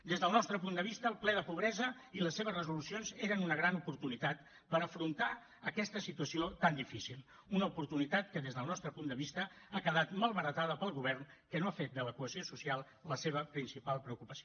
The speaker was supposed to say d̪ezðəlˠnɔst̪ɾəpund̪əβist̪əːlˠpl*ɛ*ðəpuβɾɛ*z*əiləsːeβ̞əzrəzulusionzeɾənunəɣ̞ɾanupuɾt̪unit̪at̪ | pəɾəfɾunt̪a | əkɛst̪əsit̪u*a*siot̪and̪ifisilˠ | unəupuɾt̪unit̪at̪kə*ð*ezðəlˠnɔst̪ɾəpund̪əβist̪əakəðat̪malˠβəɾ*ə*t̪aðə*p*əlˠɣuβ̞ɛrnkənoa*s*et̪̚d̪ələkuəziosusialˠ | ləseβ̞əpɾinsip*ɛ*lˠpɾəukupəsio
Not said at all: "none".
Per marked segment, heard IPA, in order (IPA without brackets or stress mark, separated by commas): ɛ, z, ə, ð, ə, p, f, a